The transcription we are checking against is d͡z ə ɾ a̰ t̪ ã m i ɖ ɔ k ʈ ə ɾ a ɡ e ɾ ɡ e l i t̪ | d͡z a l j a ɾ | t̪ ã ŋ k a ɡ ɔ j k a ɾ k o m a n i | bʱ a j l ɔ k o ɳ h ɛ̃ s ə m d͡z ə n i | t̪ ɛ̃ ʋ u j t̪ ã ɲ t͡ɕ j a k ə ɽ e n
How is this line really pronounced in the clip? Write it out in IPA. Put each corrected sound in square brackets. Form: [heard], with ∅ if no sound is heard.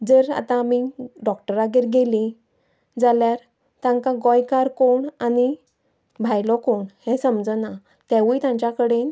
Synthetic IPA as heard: d͡z ə ɾ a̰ t̪ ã m i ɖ ɔ k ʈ ə ɾ a ɡ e ɾ ɡ e l i [∅] | d͡z a l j a ɾ | t̪ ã ŋ k a ɡ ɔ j k a ɾ k o [ɳ] a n i | bʱ a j l ɔ k o ɳ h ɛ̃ s ə m d͡z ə n [a] | t̪ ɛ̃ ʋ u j t̪ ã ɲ t͡ɕ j a k ə ɽ e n

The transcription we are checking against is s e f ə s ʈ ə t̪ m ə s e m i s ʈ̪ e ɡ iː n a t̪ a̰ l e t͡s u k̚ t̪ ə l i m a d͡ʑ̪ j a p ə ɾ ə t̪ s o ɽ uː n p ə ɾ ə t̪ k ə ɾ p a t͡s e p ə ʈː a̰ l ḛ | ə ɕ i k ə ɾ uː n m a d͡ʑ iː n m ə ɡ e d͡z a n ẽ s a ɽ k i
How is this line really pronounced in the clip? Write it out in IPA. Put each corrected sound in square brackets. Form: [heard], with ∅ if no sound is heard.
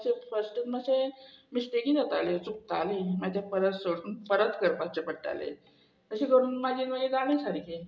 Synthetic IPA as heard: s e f ə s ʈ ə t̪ m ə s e m i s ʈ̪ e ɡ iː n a t̪ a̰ l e t͡s u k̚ t̪ [a] l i m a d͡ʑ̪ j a p ə ɾ ə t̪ s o ɽ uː n p ə ɾ ə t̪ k ə ɾ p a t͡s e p ə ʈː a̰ l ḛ | ə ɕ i k ə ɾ uː n m a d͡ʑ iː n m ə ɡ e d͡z a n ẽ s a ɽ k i

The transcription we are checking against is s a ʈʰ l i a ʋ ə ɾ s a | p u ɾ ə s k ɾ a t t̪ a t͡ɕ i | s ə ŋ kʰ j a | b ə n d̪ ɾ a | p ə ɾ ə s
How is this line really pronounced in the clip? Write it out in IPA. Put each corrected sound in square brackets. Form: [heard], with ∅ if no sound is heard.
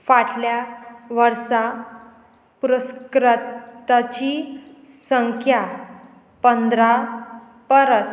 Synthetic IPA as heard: [f] a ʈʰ l [j] a ʋ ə ɾ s a | p u ɾ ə s k ɾ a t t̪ a t͡ɕ i | s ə ŋ kʰ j a | [p] ə n d̪ ɾ a | p ə ɾ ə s

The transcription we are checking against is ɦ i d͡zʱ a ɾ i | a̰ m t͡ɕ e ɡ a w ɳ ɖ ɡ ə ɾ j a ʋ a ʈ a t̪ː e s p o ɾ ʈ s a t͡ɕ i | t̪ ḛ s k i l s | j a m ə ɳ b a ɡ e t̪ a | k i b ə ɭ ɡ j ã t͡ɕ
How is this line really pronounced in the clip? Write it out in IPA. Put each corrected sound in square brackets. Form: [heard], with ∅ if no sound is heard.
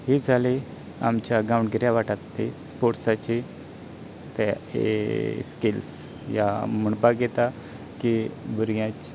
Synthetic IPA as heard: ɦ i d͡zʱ a [l] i | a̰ m t͡ɕ [a] ɡ a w ɳ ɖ ɡ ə ɾ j a ʋ a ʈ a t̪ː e s p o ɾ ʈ s a t͡ɕ i | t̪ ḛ s k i l s | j a m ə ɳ b a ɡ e t̪ a | k i b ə [ɾ] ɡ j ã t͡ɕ

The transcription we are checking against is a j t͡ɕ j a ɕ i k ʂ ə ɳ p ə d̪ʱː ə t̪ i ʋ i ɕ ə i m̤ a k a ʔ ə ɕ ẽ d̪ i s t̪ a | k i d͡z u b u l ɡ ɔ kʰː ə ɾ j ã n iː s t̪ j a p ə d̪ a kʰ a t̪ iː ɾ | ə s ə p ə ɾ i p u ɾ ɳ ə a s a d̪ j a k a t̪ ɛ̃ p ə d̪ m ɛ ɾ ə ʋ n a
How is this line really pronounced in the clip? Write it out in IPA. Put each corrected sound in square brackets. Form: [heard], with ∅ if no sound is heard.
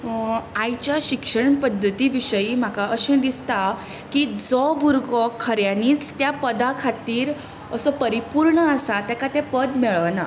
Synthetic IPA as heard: a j t͡ɕ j a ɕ i k ʂ ə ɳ p ə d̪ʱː ə t̪ i ʋ i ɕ ə i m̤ a k a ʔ ə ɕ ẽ d̪ i s t̪ a | k i d͡z [ɔ] b u [ɾ] ɡ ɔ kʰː ə ɾ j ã n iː [t͡s] t̪ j a p ə d̪ a kʰ a t̪ iː ɾ | ə s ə p ə ɾ i p u ɾ ɳ ə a s a [t̪] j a k a t̪ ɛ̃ p ə d̪ m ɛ [ɭ] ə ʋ n a

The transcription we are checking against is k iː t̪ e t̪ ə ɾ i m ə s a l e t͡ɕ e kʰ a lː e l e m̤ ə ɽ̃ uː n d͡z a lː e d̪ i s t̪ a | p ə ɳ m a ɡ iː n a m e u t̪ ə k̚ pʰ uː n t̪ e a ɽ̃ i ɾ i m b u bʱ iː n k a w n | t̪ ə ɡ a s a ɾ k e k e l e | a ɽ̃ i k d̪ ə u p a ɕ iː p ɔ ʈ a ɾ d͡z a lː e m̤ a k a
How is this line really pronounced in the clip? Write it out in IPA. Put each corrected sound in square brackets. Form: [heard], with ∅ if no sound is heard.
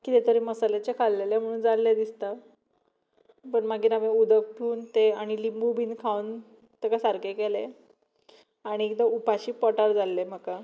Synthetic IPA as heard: k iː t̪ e t̪ ə ɾ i m ə s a l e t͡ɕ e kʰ a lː e l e m̤ ə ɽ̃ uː n d͡z a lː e d̪ i s t̪ a | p ə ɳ m a ɡ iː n a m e u [d̪] ə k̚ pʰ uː n t̪ e a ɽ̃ i [l] i m b u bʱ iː n [kʰ] a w n | t̪ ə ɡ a s a ɾ k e k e l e | a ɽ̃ i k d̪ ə u p a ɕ iː p ɔ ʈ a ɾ d͡z a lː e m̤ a k a

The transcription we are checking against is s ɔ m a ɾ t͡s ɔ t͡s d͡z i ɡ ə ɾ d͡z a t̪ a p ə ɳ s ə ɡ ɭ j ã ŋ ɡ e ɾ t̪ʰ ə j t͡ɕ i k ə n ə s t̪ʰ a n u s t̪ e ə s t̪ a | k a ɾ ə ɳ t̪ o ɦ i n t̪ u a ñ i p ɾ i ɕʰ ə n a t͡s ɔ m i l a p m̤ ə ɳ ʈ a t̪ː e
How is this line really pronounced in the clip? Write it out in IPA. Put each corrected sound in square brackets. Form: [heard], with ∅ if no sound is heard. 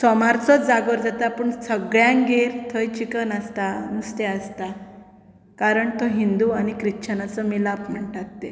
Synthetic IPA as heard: s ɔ m a ɾ t͡s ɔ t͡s d͡z [a] ɡ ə ɾ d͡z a t̪ a p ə ɳ s ə ɡ ɭ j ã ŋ ɡ e ɾ t̪ʰ ə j t͡ɕ i k ə n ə s [t̪] a n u s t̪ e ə s t̪ a | k a ɾ ə ɳ t̪ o ɦ i n [d̪] u a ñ i [k] ɾ i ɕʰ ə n a t͡s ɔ m i l a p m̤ ə ɳ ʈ a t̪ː e

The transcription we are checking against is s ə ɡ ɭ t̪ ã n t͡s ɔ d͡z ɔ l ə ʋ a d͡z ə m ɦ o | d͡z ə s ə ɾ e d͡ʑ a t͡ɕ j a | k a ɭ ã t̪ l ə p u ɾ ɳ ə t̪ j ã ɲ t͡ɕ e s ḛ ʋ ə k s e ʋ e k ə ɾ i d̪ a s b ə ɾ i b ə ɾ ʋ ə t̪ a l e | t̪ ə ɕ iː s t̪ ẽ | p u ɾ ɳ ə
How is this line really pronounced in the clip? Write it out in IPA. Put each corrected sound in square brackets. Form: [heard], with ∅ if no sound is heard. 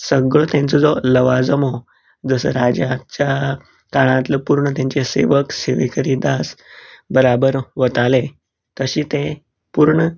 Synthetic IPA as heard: s ə ɡ ɭ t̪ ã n t͡s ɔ d͡z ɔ l ə ʋ a d͡z ə m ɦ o | d͡z ə s ə ɾ [a] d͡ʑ a t͡ɕ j a | k a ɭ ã t̪ l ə p u ɾ ɳ ə t̪ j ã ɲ t͡ɕ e s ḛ ʋ ə k s e ʋ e k ə ɾ i d̪ a s b ə ɾ [a] b ə ɾ ʋ ə t̪ a l e | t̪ ə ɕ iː [∅] t̪ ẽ | p u ɾ ɳ ə

